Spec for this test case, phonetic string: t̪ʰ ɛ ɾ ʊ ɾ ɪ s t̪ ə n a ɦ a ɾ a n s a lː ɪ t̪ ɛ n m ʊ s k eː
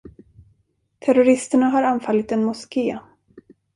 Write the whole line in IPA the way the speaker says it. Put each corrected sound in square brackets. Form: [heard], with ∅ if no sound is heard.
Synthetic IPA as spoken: t̪ʰ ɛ ɾ ʊ ɾ ɪ s t̪ ə [ɳ] a ɦ a ɾ a n [f] a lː ɪ t̪ ɛ n m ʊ s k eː